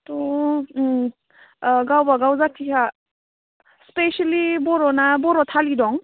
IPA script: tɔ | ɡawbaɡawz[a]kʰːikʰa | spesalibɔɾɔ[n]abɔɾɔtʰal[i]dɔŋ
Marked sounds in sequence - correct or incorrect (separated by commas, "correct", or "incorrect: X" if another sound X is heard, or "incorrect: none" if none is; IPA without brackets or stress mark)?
correct, correct, correct